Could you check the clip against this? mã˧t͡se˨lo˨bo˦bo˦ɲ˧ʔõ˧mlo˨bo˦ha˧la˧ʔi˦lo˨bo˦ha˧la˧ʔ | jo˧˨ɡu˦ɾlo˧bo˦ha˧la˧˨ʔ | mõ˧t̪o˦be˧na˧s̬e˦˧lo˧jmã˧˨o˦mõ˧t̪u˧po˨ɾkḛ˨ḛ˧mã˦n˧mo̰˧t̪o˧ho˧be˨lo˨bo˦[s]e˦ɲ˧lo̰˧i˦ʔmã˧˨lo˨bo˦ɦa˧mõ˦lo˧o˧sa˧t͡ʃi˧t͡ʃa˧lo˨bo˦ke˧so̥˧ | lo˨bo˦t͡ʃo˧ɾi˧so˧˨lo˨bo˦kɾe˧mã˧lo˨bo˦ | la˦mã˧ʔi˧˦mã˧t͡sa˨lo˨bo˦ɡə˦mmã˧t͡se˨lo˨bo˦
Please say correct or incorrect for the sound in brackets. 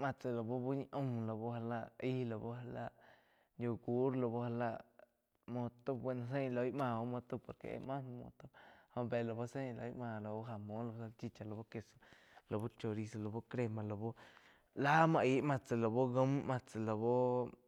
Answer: correct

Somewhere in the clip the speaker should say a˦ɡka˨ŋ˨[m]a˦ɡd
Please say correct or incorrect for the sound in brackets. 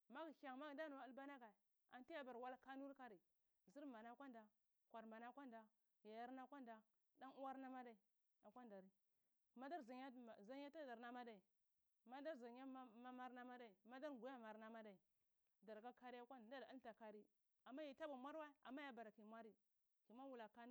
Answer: correct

